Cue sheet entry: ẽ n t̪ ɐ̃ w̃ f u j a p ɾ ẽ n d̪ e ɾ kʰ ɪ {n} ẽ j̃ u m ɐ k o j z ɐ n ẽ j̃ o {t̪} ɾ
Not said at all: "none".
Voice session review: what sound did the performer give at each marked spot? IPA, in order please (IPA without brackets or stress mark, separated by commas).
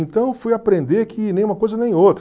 n, t̪